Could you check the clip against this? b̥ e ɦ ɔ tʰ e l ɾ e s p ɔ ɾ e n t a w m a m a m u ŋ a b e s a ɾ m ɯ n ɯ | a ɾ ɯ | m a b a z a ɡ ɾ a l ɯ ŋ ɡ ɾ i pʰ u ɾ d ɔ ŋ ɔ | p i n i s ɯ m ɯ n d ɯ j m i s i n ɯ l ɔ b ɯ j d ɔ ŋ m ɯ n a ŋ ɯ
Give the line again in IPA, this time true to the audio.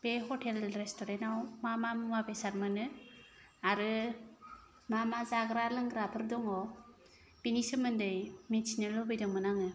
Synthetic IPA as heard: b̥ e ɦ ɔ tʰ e l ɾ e s t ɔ ɾ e n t a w m a m a m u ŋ a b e s a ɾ m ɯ n ɯ | a ɾ ɯ | m a m a z a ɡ ɾ a l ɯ ŋ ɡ ɾ a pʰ ɯ ɾ d ɔ ŋ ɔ | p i n i s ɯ m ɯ n d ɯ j m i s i n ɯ l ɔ b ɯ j d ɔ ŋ m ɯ n a ŋ ɯ

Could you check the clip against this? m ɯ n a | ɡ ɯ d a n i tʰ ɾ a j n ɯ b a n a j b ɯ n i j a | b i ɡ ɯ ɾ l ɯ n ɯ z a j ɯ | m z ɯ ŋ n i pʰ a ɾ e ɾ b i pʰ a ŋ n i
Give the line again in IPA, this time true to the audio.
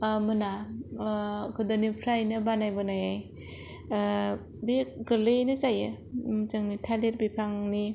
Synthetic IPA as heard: m ɯ n a | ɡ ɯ d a n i pʰ ɾ a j n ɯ b a n a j b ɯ n a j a | b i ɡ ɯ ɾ l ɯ n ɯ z a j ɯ | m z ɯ ŋ n i tʰ a l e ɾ b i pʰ a ŋ n i

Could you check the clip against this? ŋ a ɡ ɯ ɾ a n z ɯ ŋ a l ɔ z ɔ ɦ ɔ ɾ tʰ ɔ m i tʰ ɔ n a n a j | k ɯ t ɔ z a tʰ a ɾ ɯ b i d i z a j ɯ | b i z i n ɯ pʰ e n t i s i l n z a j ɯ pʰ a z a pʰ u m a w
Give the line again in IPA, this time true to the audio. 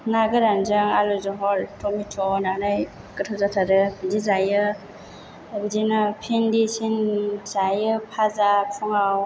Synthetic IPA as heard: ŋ a ɡ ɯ ɾ a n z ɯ ŋ a l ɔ z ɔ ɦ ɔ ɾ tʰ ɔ m i tʰ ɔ n a n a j | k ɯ tʰ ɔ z a tʰ a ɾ ɯ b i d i z a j ɯ | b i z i n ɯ pʰ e n d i s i n z a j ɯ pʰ a z a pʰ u ŋ a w

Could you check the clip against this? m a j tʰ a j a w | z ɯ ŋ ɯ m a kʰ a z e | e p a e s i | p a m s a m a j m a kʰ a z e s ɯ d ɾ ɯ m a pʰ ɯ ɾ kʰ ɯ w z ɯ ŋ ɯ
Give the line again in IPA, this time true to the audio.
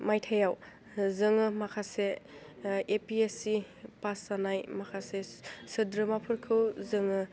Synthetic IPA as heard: m a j tʰ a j a w | z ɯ ŋ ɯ m a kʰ a s e | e p i e s i | p a s a n a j m a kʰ a s e s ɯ d ɾ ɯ m a pʰ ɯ ɾ kʰ ɯ w z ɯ ŋ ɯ

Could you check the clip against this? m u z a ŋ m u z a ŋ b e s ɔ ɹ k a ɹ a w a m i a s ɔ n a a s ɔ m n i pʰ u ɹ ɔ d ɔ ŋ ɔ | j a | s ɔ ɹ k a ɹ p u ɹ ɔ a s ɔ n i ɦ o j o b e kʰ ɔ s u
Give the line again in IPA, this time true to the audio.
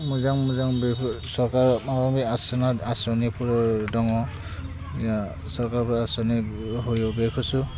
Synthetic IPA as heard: m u z a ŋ m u z a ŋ b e s ɔ ɹ k a ɹ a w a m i a s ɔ n a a s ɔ n i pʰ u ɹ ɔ d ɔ ŋ ɔ | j a | s ɔ ɹ k a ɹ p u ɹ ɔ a s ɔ n i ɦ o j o b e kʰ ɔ s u

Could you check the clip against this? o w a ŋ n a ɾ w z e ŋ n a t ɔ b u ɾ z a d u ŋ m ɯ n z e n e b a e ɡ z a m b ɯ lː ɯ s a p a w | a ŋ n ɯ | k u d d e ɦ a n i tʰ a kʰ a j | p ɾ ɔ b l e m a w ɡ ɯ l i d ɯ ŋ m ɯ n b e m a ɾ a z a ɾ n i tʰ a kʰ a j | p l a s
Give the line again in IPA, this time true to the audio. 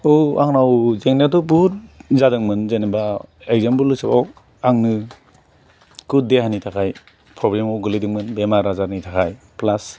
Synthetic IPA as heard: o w a ŋ n a w z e ŋ n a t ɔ b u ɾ z a d ɯ ŋ m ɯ n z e n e b a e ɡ z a m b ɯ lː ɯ s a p a w | a ŋ n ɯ | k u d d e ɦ a n i tʰ a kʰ a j | p ɾ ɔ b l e m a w ɡ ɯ l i d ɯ ŋ m ɯ n b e m a ɾ a z a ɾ n i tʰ a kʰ a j | p l a s

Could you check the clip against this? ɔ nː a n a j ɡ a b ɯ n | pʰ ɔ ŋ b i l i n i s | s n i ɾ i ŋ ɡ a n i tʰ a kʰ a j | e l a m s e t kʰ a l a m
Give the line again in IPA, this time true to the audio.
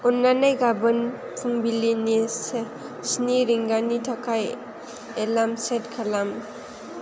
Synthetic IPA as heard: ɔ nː a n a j ɡ a b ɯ n | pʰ u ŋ b i l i n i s | s n i ɾ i ŋ ɡ a n i tʰ a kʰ a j | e l a m s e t kʰ a l a m

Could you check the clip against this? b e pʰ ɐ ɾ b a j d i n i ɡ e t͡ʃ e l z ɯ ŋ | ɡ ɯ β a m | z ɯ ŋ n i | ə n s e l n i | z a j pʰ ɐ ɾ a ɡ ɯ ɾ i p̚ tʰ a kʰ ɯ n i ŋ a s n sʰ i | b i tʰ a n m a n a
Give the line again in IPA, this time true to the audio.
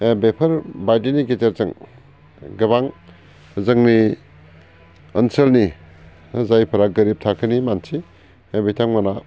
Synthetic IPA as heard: b e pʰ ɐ ɾ b a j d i n i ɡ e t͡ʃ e ɾ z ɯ ŋ | ɡ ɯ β a ŋ | z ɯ ŋ n i | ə n s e l n i | z a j pʰ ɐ ɾ a ɡ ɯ ɾ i p̚ tʰ a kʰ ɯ n i m a n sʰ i | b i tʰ a ŋ m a n a

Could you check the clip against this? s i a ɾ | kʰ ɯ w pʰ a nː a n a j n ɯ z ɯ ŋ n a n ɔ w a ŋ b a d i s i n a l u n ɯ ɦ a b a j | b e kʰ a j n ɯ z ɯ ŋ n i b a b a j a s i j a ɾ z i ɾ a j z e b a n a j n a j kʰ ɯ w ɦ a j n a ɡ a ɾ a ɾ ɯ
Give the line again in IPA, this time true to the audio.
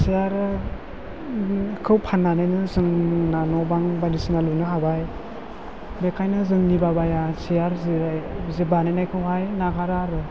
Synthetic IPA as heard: s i a ɾ | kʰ ɯ w pʰ a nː a n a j n ɯ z ɯ ŋ n a n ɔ b a ŋ b a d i s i n a l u n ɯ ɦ a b a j | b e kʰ a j n ɯ z ɯ ŋ n i b a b a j a s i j a ɾ z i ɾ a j z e b a n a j n a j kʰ ɯ w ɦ a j n a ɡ a ɾ a ɾ ɯ

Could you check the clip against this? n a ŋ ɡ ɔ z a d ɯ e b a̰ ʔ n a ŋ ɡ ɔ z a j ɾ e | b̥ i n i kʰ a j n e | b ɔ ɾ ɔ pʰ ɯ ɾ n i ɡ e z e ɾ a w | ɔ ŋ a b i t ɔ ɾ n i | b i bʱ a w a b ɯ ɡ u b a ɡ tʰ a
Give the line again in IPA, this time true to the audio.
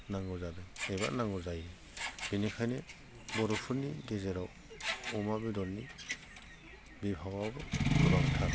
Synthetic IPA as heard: n a ŋ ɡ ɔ z a d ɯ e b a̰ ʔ n a ŋ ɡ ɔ z a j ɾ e | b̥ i n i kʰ a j n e | b ɔ ɾ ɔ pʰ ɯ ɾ n i ɡ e z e ɾ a w | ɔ m a b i d ɔ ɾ n i | b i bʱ a w a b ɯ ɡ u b a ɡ tʰ a

